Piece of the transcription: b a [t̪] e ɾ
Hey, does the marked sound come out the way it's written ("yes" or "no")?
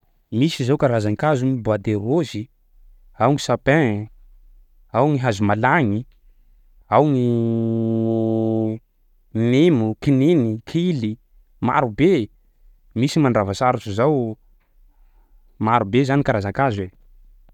no